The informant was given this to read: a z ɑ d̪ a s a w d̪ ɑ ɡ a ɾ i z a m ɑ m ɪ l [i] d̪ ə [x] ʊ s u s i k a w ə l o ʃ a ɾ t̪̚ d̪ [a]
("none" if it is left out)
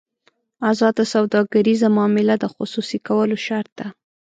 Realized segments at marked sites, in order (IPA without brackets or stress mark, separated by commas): a, x, a